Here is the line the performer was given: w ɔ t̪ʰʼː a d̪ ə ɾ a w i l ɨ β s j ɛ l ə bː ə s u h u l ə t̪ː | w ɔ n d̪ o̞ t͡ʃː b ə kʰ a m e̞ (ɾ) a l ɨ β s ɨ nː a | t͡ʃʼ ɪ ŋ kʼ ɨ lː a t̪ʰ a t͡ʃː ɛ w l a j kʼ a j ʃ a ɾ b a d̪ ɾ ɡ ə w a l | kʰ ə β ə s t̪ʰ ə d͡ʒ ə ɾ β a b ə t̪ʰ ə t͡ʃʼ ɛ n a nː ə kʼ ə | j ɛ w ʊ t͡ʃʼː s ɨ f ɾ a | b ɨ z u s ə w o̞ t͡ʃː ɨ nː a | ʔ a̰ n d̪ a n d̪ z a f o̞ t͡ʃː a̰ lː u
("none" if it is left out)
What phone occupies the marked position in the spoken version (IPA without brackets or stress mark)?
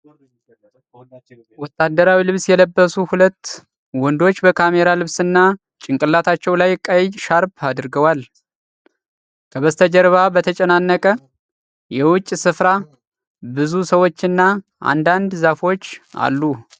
ɾ